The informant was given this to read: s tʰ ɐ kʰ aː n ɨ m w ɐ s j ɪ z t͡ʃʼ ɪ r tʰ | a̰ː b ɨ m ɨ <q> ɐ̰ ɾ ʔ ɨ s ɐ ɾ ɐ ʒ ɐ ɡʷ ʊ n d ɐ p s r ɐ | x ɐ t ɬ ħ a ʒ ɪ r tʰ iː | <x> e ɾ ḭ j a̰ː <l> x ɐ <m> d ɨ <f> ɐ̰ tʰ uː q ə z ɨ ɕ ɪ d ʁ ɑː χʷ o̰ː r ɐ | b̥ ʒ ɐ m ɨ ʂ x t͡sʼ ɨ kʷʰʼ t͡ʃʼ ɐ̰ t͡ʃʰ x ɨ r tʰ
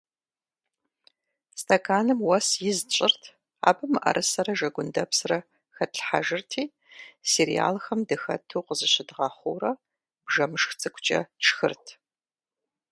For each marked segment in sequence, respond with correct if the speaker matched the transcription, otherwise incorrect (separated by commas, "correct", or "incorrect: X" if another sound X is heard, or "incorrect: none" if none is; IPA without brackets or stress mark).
incorrect: ʔ, incorrect: s, correct, correct, incorrect: x